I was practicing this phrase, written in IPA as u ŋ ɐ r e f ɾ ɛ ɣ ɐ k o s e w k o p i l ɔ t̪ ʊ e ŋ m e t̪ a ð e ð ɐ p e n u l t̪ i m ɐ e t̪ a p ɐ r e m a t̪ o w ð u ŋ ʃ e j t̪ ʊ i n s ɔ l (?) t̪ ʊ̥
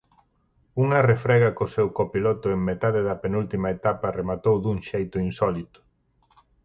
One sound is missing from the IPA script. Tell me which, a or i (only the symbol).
i